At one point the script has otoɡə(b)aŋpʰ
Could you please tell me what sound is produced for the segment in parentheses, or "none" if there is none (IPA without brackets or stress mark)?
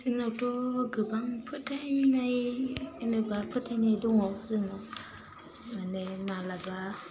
b